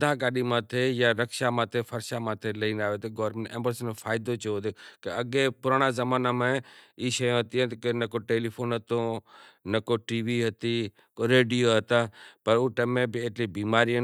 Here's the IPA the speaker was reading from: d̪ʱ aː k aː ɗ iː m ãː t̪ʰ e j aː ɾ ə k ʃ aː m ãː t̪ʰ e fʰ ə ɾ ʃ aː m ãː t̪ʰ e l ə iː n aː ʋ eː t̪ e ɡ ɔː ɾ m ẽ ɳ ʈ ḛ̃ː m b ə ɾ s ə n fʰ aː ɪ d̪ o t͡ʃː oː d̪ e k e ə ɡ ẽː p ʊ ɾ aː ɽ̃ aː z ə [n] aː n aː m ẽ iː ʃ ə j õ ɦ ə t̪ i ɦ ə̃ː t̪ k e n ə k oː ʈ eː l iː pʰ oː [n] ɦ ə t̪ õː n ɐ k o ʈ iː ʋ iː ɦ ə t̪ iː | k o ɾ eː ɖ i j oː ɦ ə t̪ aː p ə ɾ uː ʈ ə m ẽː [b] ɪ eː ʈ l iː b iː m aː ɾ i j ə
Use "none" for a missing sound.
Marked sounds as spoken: m, n, b

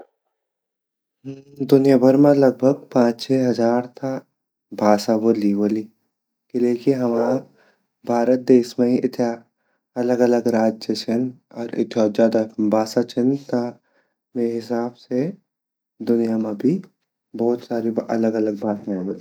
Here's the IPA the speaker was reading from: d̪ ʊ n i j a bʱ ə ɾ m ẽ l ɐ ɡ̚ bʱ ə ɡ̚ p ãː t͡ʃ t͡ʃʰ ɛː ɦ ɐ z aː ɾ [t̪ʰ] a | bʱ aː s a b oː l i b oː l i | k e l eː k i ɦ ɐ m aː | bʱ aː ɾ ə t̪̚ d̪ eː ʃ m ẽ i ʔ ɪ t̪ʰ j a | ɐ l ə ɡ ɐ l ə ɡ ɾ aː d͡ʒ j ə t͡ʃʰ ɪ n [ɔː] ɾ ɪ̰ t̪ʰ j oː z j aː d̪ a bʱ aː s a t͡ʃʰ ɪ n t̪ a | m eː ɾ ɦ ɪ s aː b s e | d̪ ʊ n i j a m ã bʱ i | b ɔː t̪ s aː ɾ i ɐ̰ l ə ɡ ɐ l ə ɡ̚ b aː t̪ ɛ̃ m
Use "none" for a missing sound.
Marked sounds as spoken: t̪ʰ, ɔː

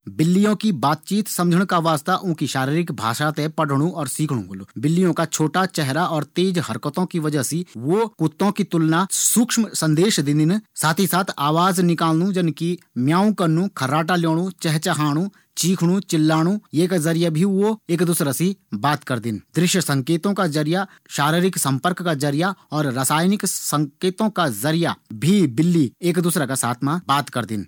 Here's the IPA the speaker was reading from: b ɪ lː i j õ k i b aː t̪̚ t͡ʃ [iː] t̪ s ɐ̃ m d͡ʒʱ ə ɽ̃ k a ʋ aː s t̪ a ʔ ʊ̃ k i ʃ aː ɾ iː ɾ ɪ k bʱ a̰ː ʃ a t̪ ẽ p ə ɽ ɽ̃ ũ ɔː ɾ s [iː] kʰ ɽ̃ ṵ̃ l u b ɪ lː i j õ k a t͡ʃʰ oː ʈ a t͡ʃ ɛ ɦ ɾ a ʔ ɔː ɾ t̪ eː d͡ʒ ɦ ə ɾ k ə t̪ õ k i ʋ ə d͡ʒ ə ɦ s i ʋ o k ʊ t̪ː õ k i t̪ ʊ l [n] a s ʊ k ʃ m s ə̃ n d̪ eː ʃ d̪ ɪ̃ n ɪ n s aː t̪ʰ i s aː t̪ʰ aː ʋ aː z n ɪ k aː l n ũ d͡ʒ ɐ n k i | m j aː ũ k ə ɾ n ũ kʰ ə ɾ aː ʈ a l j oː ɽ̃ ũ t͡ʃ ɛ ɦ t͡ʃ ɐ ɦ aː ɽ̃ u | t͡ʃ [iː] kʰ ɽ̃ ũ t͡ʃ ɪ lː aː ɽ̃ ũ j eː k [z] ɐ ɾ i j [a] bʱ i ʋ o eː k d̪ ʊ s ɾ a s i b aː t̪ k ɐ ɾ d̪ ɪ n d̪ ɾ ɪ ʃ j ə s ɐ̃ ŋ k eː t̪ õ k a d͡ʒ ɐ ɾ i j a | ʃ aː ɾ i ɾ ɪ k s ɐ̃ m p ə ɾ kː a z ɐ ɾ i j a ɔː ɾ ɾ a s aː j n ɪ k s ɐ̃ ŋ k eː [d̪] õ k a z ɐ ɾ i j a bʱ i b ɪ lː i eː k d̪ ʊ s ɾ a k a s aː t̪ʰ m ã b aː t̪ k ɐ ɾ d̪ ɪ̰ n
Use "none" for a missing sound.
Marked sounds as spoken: iː, iː, n, iː, z, a, t̪

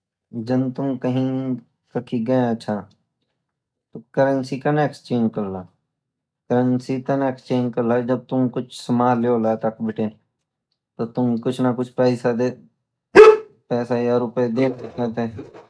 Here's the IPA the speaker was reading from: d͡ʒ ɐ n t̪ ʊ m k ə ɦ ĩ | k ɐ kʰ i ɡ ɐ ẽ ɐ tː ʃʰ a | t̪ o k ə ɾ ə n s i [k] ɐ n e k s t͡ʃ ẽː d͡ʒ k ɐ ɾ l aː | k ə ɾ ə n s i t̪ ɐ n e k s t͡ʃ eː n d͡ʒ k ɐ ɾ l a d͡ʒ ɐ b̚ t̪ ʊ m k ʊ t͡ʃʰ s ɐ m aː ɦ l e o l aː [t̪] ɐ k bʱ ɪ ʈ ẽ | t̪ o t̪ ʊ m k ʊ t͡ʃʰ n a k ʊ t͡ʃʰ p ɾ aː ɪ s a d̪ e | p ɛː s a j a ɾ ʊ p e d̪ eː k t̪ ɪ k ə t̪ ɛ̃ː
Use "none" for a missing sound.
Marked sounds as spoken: k, t̪

